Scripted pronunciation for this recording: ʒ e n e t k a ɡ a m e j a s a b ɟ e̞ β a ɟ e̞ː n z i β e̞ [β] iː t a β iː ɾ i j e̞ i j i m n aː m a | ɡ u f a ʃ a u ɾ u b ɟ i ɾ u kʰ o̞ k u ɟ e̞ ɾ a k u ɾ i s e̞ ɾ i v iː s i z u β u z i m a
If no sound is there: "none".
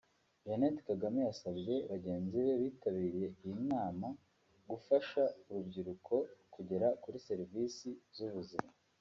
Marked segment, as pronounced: β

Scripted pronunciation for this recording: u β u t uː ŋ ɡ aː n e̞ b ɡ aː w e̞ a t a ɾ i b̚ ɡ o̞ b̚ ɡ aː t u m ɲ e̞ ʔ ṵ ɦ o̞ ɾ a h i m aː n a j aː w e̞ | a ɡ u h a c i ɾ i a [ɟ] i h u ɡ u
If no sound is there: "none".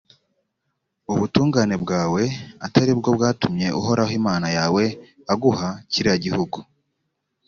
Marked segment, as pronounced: ɟ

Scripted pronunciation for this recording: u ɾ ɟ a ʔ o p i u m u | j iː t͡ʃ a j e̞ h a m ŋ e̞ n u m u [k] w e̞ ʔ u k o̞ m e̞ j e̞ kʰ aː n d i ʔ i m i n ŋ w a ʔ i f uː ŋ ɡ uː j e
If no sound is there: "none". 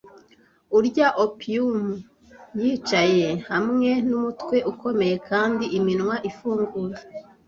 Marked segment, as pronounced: t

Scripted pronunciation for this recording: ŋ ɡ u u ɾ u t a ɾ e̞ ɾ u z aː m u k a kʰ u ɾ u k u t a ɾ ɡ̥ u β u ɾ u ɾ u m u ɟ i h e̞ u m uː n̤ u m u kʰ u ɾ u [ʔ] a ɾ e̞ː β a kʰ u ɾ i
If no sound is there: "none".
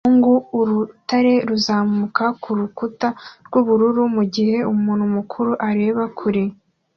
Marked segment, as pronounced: ʔ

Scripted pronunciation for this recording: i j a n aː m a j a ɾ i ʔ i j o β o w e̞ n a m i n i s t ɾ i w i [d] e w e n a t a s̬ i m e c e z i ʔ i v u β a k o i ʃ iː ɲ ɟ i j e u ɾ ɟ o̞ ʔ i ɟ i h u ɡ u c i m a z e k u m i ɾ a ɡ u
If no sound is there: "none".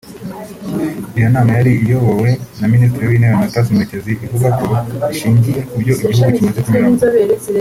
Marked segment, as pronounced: n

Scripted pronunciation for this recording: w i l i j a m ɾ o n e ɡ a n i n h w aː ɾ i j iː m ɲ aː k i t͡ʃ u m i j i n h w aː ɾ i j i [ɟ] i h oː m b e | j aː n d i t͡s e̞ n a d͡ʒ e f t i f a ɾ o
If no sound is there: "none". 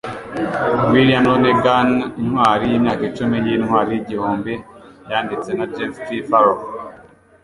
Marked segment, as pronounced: ɟ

